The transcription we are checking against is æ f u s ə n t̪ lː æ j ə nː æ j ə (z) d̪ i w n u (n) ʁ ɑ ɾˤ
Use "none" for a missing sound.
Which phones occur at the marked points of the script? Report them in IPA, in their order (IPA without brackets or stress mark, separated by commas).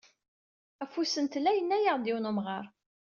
ʁ, m